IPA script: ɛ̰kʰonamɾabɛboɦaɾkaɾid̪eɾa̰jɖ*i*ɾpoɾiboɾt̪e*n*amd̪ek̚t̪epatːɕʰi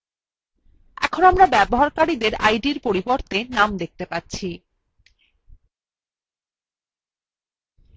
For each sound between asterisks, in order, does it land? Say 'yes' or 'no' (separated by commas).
yes, yes